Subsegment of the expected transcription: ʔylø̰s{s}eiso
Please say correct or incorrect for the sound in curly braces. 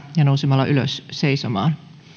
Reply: correct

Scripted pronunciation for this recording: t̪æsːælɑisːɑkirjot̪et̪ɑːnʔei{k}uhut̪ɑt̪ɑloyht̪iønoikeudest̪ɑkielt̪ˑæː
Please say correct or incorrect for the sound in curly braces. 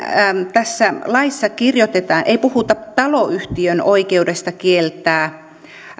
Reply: incorrect: p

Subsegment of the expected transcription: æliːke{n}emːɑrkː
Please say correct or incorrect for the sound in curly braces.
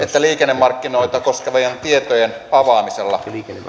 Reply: incorrect: nː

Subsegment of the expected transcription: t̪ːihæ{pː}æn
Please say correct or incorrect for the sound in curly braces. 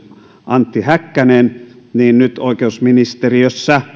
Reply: incorrect: kː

